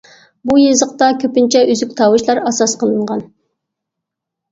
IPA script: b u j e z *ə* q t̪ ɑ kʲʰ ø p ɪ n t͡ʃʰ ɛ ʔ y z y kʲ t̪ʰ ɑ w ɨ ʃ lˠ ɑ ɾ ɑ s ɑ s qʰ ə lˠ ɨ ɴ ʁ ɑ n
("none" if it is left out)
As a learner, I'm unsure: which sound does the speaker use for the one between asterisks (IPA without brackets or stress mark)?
ə